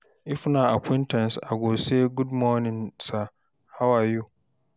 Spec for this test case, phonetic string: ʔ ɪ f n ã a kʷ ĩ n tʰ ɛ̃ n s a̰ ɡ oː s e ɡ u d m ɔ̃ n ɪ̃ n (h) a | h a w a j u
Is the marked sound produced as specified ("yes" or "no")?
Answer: no